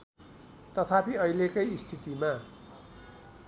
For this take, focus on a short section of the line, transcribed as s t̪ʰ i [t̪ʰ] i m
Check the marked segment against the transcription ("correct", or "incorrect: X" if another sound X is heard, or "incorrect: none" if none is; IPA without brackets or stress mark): incorrect: t̪